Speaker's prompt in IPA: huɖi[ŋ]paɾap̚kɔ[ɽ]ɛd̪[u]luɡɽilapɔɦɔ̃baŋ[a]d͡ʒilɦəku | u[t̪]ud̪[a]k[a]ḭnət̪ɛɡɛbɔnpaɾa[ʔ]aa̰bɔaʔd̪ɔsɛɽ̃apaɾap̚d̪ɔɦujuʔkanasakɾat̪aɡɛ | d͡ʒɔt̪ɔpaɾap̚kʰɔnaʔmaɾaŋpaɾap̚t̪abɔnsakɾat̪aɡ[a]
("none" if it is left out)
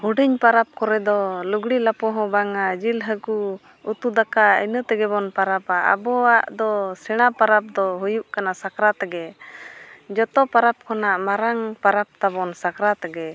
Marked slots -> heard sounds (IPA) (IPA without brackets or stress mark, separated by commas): ɲ, ɾ, ɔ, a, t̪, a, a, p, ɛ